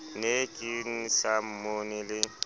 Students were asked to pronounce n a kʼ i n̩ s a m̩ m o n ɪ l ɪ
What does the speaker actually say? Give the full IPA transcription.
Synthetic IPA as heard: n e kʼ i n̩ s a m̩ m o n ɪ l ɪ